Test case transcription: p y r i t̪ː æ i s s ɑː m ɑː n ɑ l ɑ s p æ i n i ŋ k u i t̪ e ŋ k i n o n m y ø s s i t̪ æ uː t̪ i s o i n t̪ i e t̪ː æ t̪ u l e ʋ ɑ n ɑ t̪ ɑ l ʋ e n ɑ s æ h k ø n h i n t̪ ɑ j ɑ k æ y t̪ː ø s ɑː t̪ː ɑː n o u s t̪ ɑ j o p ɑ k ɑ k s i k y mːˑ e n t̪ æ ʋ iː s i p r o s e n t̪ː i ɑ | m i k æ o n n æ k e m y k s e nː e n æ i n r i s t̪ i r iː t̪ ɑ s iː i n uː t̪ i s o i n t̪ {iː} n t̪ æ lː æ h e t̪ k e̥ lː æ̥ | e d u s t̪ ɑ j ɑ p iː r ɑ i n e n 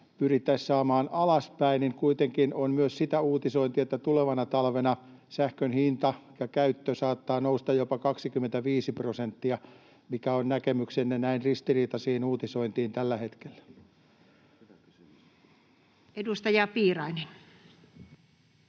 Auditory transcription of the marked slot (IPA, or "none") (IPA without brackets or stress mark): iː